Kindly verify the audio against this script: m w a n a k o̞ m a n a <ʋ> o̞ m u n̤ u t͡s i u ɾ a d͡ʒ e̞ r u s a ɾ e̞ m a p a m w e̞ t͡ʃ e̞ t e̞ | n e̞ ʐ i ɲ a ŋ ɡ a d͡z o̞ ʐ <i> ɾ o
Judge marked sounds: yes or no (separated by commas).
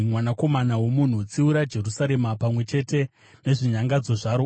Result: no, no